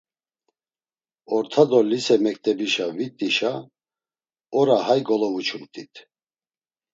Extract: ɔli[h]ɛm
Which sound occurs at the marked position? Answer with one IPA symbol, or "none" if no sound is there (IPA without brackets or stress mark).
s